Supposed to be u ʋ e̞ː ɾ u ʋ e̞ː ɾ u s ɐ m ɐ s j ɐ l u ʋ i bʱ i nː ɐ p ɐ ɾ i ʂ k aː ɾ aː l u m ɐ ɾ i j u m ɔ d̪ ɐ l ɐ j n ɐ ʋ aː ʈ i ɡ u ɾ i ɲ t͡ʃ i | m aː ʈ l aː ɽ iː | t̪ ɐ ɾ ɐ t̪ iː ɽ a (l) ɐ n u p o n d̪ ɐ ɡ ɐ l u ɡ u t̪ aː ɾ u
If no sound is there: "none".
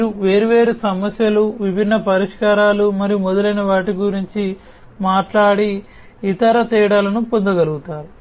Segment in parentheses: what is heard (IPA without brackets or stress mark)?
l